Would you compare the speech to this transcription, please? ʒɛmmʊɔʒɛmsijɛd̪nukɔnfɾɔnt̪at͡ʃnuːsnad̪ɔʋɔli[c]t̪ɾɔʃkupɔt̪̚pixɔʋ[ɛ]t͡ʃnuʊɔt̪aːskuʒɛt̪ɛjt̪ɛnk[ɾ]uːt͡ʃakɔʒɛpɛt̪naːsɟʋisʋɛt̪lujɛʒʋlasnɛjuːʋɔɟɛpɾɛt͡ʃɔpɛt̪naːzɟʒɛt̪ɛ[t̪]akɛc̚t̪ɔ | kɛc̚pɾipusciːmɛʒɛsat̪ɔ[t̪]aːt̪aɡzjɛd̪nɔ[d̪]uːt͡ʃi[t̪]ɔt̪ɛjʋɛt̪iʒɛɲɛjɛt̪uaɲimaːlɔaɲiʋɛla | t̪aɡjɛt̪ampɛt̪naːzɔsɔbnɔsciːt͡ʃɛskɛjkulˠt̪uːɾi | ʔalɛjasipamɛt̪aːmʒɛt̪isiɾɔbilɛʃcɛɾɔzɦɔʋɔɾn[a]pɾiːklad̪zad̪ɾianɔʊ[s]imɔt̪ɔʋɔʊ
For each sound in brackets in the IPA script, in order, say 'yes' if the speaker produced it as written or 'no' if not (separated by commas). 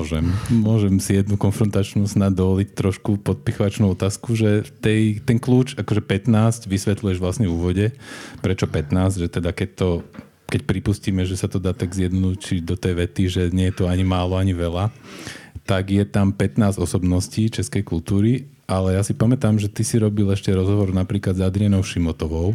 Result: yes, no, no, no, no, yes, no, yes, no